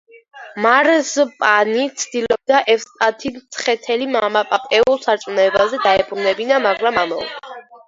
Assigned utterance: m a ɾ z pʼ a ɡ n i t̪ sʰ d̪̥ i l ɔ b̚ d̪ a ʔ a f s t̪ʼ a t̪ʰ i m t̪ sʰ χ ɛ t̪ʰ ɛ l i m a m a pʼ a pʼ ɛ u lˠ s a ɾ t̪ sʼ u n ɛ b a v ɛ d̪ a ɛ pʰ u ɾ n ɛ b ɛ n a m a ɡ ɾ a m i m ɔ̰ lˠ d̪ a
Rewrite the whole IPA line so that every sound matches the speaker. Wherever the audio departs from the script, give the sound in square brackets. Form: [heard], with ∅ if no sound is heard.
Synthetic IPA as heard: m a ɾ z pʼ a [∅] n i t̪ sʰ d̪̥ i l ɔ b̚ d̪ a ʔ [ɛ] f s t̪ʼ a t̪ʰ i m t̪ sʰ χ ɛ t̪ʰ ɛ l i m a m a pʼ a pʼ ɛ u lˠ s a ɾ t̪ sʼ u n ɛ b a [z] ɛ d̪ a ɛ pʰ u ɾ n ɛ b [i] n a m a ɡ ɾ a m [a] m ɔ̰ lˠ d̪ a

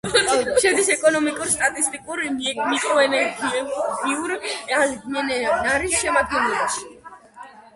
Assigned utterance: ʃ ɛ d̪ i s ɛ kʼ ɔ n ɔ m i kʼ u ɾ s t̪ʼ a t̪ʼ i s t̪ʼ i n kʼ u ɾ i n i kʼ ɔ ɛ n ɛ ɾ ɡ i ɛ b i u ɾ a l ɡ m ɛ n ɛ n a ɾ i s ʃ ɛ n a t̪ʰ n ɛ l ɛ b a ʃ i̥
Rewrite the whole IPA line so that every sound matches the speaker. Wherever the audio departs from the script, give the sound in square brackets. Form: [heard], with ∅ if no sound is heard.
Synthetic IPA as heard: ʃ ɛ d̪ i s ɛ kʼ ɔ n ɔ m i kʼ u ɾ s t̪ʼ a t̪ʼ i s t̪ʼ i [∅] kʼ u ɾ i [m] i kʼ ɔ ɛ n ɛ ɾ ɡ i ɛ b i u ɾ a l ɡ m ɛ n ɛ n a ɾ i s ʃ ɛ [m] a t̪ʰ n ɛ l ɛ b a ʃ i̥

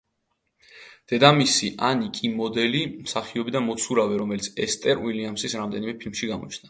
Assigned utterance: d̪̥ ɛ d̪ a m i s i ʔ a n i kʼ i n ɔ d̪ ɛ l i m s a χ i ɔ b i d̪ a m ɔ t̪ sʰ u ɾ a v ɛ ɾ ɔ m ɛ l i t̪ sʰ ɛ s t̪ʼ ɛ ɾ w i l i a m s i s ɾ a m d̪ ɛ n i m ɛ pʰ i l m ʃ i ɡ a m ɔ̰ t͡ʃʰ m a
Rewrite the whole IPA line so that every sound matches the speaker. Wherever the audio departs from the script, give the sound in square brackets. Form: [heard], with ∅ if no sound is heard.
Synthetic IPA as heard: d̪̥ ɛ d̪ a m i s i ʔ a n i kʼ i [m] ɔ d̪ ɛ l i m s a χ i ɔ b i d̪ a m ɔ t̪ sʰ u ɾ a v ɛ ɾ ɔ m ɛ l i t̪ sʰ ɛ s t̪ʼ ɛ ɾ w i l i a m s i s ɾ a m d̪ ɛ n i m ɛ pʰ i l m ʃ i ɡ a m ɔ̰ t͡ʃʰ [n] a

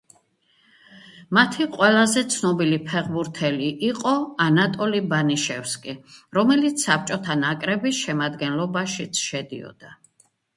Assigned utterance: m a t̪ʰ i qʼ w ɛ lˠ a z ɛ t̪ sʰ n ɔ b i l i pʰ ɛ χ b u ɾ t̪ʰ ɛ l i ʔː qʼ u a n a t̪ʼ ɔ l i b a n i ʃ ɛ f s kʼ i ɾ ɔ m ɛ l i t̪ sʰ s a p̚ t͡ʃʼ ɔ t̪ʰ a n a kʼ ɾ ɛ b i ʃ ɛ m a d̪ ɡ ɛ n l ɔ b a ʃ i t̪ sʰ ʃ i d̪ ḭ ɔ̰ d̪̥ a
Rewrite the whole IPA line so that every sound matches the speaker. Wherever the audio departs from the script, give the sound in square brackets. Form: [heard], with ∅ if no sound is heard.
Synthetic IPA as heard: m a t̪ʰ i qʼ w ɛ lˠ a z ɛ t̪ sʰ n ɔ b i l i pʰ ɛ [ʁ] b u ɾ t̪ʰ ɛ l i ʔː qʼ [ɔ] a n a t̪ʼ ɔ l i b a n i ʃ ɛ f s kʼ i ɾ ɔ m ɛ l i t̪ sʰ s a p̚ t͡ʃʼ ɔ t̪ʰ a n a kʼ ɾ ɛ b i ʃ ɛ m a d̪ ɡ ɛ n l ɔ b a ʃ i t̪ sʰ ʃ [ɛ] d̪ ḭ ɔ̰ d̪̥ a

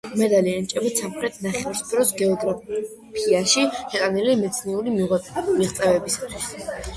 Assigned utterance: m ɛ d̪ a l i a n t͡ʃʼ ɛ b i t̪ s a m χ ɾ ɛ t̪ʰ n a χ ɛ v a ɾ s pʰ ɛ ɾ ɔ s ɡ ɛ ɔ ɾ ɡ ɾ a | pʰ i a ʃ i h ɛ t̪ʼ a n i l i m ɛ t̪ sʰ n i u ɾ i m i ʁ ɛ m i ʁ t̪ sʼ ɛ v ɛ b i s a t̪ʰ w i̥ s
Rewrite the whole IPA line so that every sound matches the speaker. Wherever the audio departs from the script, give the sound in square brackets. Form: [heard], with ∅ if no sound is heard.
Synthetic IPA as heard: m ɛ d̪ a l i a n t͡ʃʼ ɛ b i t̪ s a m χ ɾ ɛ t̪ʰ n a χ ɛ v a ɾ s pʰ ɛ ɾ ɔ s ɡ ɛ ɔ [∅] ɡ ɾ a | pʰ i a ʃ i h ɛ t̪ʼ a n i l i m ɛ t̪ sʰ n i u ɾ i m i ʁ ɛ m i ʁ t̪ sʼ ɛ v ɛ b i s a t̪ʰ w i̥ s

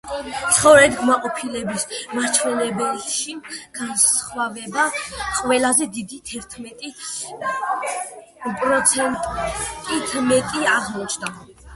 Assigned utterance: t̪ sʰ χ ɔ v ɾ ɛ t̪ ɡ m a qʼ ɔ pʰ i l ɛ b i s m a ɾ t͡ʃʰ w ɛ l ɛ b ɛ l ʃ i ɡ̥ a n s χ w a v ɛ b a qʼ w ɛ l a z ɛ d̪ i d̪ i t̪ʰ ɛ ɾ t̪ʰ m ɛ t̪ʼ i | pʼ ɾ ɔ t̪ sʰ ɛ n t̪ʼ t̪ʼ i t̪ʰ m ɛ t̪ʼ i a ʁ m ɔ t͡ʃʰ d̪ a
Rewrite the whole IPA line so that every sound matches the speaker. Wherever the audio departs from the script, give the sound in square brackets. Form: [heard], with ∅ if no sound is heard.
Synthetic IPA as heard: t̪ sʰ χ ɔ v ɾ ɛ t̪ ɡ m a qʼ ɔ pʰ i l ɛ b i s m a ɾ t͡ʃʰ w ɛ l ɛ b ɛ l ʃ i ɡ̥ a n s χ w a v ɛ b a qʼ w ɛ l a z ɛ d̪ i d̪ i t̪ʰ ɛ ɾ t̪ʰ m ɛ t̪ʼ i | pʼ ɾ ɔ t̪ sʰ ɛ n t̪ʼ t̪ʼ i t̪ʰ m ɛ t̪ʼ i a ʁ m ɔ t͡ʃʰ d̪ a

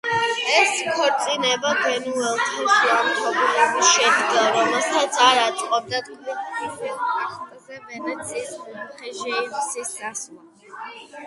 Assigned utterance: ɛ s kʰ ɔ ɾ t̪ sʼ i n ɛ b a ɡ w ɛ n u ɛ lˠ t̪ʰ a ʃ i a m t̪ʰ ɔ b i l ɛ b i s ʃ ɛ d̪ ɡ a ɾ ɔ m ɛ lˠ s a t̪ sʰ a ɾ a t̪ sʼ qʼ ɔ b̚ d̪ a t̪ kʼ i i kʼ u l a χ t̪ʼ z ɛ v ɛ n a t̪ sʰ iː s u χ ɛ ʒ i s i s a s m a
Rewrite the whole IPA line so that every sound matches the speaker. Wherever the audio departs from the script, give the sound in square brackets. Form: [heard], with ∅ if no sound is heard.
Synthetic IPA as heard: ɛ s kʰ ɔ ɾ t̪ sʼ i n ɛ b a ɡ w ɛ n u ɛ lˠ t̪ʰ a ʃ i a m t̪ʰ ɔ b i l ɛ b i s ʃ ɛ d̪ ɡ a ɾ ɔ m ɛ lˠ s a t̪ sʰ a ɾ a t̪ sʼ qʼ ɔ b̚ d̪ a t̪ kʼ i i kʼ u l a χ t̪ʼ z ɛ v ɛ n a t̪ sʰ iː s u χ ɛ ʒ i s i s a s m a

